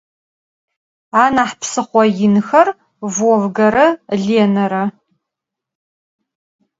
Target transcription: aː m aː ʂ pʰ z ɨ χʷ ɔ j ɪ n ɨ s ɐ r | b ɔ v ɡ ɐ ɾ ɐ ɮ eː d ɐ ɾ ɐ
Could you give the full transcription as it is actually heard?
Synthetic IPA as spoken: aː n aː ħ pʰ s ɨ χʷ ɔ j ɪ n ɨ x ɐ r | v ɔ v ɡ ɐ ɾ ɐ ɮ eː n ɐ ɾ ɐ